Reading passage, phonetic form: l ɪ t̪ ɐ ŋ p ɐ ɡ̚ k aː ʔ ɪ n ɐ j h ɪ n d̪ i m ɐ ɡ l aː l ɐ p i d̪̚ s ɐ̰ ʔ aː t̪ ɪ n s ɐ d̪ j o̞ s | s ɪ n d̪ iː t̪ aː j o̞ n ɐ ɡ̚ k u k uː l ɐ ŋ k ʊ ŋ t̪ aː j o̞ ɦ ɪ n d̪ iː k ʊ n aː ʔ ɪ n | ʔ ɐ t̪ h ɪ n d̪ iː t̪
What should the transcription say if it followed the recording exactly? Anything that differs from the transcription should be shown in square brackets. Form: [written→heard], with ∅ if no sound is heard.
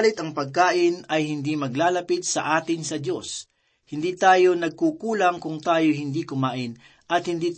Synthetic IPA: l ɪ t̪ ɐ ŋ p ɐ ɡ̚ k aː ʔ ɪ n ɐ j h ɪ n d̪ i m ɐ ɡ l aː l ɐ p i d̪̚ s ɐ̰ ʔ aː t̪ ɪ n s ɐ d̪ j o̞ s | [s→h] ɪ n d̪ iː t̪ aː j o̞ n ɐ ɡ̚ k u k uː l ɐ ŋ k ʊ ŋ t̪ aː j o̞ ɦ ɪ n d̪ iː k ʊ [n→m] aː ʔ ɪ n | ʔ ɐ t̪ h ɪ n d̪ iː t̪